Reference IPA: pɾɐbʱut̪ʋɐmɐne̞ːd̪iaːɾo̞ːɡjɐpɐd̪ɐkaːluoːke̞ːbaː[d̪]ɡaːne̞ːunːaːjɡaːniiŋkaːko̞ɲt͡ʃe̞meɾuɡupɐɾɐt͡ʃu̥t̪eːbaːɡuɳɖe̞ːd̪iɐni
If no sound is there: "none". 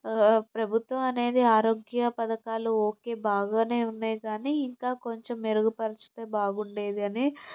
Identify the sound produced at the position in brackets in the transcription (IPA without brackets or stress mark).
none